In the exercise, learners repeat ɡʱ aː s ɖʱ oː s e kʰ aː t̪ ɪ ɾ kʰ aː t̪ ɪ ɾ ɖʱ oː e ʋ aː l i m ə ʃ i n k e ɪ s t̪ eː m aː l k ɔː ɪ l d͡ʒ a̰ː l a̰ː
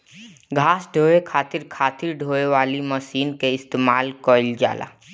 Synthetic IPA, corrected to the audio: ɡʱ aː s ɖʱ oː e kʰ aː t̪ ɪ ɾ kʰ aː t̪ ɪ ɾ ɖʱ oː e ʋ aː l i m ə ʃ iː n k e ɪ s t̪ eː m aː l k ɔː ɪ l d͡ʒ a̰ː l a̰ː